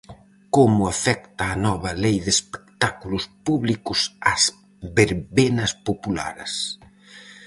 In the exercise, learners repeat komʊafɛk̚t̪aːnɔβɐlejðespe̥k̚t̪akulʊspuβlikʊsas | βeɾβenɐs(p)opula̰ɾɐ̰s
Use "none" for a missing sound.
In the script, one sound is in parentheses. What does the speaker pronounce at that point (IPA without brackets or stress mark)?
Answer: p